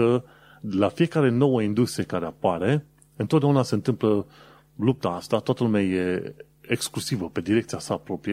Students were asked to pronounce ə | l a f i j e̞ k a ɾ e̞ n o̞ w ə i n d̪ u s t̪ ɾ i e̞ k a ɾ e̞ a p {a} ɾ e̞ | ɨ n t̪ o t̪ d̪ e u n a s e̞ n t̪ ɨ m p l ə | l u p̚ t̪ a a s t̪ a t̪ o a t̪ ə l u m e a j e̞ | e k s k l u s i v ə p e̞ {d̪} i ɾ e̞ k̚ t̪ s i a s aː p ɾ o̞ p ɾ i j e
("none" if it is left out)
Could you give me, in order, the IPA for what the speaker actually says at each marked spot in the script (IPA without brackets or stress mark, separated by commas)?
a, d̪